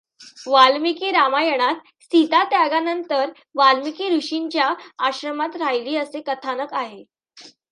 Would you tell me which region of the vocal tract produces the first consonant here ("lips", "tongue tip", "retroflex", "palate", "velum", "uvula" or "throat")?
lips